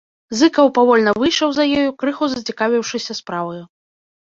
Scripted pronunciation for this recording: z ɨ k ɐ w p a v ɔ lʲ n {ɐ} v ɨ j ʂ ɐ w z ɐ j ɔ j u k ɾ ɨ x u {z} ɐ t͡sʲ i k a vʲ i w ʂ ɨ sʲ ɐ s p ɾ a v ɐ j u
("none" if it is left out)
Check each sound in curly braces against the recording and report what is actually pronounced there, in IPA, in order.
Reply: ɐ, z

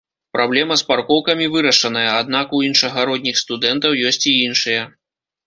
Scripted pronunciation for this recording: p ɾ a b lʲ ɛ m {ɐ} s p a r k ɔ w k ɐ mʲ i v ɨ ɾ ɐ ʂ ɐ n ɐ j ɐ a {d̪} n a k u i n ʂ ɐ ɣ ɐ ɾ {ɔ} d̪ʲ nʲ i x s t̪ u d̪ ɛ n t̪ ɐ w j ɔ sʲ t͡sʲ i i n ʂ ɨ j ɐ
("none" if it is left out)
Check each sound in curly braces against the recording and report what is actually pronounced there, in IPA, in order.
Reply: ɐ, d̪, ɔ

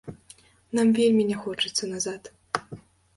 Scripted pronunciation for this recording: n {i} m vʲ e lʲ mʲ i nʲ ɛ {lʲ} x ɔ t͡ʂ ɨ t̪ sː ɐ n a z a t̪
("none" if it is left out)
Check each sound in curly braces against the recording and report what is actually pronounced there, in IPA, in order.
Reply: a, none

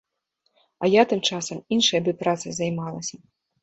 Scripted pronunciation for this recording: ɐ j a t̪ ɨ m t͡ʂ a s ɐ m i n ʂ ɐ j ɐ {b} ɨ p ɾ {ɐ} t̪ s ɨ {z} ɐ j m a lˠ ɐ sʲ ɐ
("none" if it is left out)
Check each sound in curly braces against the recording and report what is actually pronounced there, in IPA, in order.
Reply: b, a, z

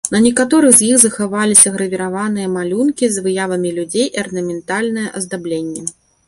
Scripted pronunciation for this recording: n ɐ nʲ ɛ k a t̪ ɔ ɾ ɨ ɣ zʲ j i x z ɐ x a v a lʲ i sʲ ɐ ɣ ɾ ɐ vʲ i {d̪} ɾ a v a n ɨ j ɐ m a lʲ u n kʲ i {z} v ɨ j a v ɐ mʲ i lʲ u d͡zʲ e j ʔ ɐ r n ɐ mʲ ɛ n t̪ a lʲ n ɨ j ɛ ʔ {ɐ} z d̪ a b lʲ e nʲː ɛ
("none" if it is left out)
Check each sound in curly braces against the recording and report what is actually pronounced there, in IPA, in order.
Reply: none, z, ɐ

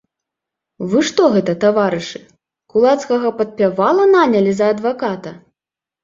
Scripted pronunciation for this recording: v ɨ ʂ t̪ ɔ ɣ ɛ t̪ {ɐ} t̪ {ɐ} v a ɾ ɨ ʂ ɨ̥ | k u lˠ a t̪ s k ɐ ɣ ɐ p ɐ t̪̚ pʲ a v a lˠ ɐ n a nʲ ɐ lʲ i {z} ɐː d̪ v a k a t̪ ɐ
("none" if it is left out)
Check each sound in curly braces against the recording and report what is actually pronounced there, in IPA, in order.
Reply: ɐ, a, z

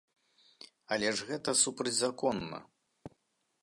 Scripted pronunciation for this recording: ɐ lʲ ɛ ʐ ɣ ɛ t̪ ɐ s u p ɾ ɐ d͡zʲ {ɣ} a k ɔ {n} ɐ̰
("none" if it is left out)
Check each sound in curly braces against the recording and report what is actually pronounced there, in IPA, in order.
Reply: z, nː

